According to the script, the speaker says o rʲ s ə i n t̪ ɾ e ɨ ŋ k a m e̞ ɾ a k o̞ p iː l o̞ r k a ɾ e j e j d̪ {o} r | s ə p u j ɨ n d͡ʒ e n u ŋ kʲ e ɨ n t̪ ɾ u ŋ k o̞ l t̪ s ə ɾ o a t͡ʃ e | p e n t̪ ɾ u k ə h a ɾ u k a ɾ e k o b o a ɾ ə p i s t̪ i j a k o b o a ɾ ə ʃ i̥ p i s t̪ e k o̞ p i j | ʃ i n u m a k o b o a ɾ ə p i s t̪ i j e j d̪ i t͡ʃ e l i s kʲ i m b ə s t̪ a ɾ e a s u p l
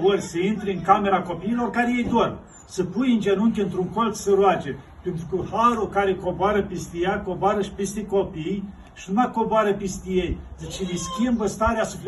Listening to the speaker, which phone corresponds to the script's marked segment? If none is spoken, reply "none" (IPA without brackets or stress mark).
o